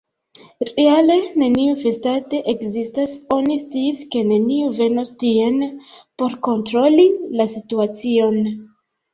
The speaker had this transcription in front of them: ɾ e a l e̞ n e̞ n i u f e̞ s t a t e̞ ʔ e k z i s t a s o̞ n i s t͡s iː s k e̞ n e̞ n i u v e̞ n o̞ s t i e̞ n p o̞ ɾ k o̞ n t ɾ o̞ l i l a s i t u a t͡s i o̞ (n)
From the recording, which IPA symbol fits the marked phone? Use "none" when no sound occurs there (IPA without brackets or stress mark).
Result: n